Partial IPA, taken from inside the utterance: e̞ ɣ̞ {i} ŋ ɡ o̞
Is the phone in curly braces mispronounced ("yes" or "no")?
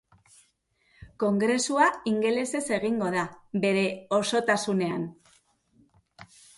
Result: no